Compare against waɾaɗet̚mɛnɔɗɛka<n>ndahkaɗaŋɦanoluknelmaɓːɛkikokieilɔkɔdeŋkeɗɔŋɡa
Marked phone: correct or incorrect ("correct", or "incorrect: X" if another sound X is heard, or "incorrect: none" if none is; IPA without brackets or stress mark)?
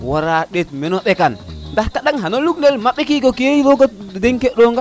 correct